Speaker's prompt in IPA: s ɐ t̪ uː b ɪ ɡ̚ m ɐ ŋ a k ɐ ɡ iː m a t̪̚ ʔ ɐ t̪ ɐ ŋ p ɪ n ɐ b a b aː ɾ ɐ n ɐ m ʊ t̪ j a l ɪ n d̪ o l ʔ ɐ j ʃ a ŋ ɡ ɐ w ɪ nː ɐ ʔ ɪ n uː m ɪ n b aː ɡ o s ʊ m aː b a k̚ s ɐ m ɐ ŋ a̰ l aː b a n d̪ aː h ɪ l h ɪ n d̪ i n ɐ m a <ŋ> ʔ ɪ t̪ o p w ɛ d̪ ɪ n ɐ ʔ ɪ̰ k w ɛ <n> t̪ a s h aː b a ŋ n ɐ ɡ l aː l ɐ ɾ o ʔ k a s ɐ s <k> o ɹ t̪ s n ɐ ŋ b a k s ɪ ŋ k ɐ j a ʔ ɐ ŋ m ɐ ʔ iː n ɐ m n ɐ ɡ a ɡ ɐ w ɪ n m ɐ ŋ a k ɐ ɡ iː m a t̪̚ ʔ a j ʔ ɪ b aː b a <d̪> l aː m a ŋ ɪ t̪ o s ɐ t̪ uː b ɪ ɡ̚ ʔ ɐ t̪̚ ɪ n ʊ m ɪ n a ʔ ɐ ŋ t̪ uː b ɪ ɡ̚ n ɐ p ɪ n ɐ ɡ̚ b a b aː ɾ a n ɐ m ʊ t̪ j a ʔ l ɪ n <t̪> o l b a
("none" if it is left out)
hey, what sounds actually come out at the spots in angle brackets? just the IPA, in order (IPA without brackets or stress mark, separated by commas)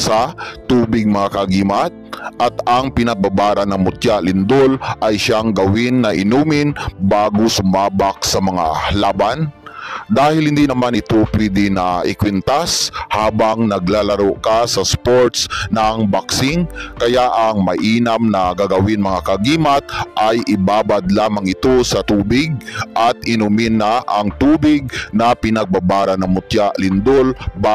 n, n, p, d̪, d̪